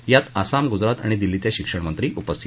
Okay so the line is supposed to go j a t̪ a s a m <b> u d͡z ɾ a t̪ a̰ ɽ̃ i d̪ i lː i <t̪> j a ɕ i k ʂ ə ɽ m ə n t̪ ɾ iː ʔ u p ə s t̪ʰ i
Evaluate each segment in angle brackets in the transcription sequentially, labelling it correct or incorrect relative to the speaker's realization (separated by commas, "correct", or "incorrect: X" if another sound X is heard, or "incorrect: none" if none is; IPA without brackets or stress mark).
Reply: incorrect: ɡ, correct